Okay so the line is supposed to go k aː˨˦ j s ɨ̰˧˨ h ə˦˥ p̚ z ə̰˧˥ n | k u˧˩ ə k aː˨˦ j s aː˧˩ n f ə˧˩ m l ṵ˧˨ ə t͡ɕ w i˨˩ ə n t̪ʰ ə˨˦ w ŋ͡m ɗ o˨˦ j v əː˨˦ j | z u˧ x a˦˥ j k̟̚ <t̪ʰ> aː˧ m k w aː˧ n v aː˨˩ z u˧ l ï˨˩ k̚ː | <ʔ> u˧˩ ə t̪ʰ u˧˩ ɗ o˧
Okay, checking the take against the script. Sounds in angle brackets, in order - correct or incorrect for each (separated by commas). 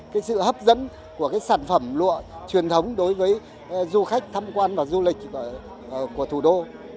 correct, incorrect